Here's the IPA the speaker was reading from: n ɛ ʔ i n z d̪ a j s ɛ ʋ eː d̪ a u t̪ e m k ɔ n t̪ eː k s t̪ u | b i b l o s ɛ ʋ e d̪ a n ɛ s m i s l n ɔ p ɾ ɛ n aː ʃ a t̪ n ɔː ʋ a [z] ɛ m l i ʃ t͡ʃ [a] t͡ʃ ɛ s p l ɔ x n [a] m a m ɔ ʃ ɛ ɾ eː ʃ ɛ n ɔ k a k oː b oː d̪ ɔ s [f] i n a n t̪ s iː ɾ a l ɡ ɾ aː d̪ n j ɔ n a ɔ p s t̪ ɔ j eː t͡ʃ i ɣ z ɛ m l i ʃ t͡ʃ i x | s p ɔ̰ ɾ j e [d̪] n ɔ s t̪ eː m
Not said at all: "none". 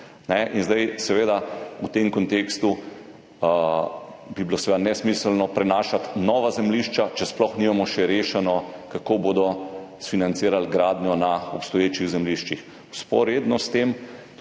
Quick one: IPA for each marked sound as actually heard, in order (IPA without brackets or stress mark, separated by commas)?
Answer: z, a, i, f, d̪